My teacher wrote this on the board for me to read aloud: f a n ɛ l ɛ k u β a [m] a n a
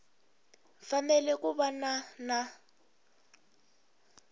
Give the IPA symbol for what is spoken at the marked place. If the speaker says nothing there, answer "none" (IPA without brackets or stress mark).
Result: n